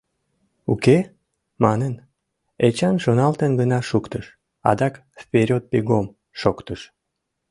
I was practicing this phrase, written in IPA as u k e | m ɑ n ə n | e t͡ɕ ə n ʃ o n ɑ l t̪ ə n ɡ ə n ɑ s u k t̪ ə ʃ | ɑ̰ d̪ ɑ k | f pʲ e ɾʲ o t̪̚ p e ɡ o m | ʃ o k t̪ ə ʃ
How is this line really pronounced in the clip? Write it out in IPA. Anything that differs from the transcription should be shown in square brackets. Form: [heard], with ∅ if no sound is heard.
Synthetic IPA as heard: u k e | m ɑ n ə n | e t͡ɕ [ɑ] n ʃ o n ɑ l t̪ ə n ɡ ə n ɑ [ʃ] u k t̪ ə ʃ | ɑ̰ d̪ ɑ k | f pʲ e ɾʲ o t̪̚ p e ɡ o m | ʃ o k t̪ ə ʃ